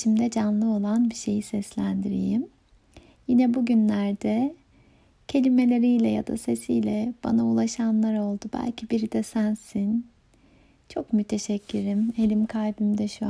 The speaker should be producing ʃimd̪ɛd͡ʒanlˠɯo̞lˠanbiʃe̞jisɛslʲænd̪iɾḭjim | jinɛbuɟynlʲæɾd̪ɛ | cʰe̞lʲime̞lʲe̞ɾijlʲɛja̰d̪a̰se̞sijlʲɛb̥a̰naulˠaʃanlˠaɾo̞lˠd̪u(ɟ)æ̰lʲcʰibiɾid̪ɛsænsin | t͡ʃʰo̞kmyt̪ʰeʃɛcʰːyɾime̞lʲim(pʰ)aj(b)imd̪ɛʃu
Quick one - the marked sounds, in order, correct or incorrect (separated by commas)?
incorrect, incorrect, correct